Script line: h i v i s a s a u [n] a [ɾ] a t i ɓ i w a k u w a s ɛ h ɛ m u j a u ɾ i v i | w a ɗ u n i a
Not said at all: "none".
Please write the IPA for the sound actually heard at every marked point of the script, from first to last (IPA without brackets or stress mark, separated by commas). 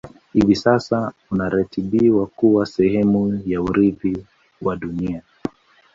n, ɾ